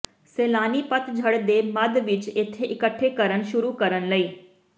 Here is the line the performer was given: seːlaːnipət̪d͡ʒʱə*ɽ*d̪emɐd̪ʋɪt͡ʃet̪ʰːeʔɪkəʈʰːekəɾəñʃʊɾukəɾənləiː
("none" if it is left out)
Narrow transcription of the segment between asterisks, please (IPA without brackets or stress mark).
ɽ